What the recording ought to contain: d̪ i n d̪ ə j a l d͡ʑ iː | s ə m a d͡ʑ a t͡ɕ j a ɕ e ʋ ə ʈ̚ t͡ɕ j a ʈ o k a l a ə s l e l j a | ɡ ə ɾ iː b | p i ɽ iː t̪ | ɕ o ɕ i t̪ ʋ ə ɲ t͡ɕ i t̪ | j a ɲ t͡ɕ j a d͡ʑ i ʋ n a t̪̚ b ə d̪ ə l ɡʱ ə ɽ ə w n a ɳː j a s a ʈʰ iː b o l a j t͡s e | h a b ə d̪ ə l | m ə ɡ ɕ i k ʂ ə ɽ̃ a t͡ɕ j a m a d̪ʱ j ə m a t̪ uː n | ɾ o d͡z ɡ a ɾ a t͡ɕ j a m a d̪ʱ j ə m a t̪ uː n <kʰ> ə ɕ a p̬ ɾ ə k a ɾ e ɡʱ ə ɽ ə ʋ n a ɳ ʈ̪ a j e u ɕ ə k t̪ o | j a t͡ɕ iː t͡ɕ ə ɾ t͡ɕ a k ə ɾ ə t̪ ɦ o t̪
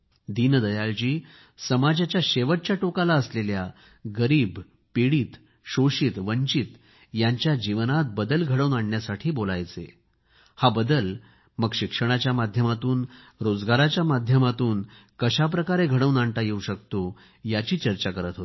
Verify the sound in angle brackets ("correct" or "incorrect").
incorrect